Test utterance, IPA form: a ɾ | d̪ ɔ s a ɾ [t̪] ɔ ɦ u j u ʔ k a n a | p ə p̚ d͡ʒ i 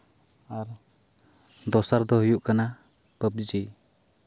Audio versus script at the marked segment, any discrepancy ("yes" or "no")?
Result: yes